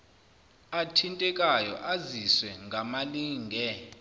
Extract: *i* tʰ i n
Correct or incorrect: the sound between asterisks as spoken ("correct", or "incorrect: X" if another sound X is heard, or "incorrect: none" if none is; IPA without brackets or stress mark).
incorrect: a